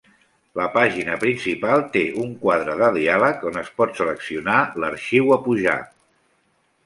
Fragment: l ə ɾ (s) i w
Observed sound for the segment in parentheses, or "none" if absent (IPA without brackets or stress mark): ʃ